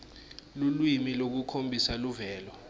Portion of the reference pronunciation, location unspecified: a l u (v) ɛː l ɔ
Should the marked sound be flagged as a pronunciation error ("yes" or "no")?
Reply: no